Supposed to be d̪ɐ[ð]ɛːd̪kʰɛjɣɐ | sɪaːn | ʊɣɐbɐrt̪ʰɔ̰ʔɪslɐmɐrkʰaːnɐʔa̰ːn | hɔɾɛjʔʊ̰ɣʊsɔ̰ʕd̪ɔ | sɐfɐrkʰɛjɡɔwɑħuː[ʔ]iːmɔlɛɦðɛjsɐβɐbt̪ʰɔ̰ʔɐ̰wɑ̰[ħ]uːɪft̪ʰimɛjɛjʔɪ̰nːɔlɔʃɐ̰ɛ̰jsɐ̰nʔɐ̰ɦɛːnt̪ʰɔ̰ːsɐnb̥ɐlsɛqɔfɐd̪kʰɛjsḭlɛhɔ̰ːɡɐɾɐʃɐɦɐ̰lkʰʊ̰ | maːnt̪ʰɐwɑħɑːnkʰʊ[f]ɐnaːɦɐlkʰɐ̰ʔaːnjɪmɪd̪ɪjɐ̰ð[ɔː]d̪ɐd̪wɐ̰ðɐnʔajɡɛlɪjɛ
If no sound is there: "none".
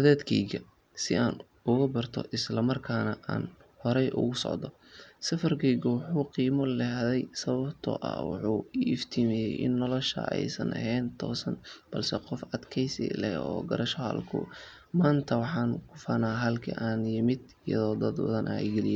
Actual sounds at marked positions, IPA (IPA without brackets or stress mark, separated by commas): ð, q, ħ, f, ɔː